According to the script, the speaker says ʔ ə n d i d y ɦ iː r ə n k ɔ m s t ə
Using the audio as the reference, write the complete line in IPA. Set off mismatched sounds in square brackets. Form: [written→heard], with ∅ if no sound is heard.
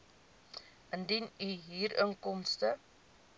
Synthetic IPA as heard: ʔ ə n d i [d→n] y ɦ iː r ə [n→ŋ] k ɔ m s t ə